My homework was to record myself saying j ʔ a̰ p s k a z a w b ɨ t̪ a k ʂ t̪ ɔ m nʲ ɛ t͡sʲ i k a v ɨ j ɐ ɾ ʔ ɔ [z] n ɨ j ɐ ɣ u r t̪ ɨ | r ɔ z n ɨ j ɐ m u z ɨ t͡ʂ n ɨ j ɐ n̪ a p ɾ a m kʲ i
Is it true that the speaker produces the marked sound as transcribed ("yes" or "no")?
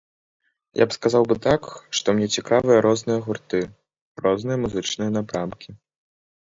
yes